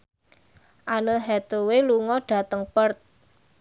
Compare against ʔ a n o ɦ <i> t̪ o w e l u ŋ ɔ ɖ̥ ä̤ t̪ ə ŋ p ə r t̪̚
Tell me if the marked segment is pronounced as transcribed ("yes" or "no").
no